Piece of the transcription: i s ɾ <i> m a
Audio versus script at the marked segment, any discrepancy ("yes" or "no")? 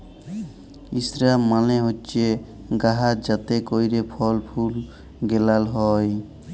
yes